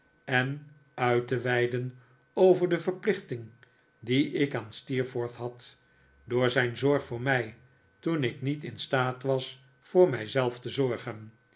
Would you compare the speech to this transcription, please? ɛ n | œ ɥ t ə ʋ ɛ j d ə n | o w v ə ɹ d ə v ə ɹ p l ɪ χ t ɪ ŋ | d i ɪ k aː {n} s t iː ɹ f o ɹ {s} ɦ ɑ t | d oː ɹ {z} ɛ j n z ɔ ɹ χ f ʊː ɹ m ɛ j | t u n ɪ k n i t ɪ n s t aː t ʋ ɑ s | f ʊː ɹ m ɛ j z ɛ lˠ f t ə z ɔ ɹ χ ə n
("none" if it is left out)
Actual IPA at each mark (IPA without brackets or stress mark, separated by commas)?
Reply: n, θ, z